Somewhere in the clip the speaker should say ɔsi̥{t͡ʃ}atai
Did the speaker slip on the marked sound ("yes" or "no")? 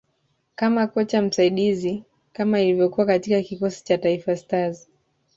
no